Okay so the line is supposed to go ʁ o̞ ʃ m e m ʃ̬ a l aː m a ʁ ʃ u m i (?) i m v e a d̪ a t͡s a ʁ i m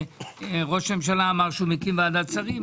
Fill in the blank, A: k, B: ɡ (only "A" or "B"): A